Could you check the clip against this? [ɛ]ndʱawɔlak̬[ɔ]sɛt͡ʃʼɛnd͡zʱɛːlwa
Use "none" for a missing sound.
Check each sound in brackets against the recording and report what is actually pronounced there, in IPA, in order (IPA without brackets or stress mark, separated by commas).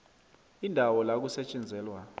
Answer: i, u